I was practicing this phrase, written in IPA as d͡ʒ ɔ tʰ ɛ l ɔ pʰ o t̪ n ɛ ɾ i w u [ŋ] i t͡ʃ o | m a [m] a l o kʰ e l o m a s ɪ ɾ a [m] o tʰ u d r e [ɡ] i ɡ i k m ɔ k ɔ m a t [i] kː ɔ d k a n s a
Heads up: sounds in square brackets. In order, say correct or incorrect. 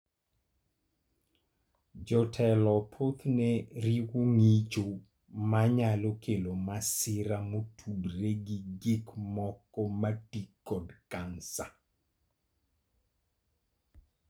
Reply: correct, incorrect, correct, correct, correct

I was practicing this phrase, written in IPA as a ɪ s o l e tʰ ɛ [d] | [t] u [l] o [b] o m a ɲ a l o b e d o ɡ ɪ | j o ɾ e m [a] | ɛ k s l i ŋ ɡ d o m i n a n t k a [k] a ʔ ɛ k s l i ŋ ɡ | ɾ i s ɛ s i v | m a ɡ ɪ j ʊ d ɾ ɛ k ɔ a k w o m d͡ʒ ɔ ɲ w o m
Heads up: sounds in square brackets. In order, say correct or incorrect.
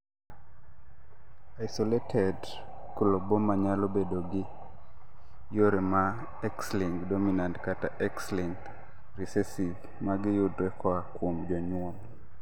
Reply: correct, incorrect, correct, correct, correct, incorrect

